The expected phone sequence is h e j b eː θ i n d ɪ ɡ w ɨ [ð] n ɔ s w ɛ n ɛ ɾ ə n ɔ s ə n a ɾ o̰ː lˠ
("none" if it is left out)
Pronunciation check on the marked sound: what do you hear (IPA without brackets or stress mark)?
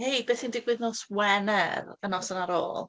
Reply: ð